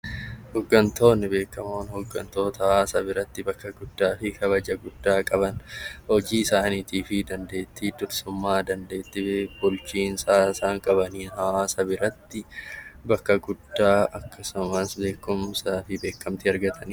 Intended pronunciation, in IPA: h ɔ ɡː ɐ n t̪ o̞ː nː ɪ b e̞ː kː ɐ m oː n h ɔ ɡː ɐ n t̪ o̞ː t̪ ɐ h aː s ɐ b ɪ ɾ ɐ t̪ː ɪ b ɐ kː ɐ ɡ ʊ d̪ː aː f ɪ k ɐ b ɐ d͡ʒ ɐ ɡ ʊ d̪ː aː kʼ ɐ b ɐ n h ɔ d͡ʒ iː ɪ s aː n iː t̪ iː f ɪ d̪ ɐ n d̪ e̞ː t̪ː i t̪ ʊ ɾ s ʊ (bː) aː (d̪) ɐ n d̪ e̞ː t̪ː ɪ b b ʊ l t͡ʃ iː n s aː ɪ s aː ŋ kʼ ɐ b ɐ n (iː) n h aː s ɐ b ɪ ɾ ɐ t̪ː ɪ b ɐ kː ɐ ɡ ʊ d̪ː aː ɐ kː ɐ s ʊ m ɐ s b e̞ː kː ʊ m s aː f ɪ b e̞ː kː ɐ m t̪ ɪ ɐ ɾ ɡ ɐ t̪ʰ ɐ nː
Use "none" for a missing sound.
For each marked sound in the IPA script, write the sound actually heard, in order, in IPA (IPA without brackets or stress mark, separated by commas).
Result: mː, d̪, iː